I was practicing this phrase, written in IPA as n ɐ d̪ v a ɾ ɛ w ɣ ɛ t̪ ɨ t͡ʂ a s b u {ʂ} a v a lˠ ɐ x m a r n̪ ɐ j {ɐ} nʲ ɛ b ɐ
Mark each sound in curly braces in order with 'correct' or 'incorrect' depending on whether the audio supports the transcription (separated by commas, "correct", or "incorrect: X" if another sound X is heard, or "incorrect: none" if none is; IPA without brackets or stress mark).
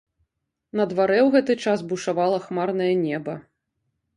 correct, correct